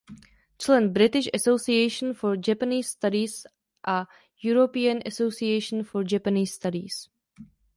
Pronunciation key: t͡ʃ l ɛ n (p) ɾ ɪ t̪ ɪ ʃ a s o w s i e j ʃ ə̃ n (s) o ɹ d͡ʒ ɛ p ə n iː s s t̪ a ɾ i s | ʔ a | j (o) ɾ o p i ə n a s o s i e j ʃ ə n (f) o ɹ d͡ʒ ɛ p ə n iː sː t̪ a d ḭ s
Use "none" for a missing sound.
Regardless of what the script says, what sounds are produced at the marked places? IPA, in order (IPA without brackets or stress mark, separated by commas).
b, f, u, f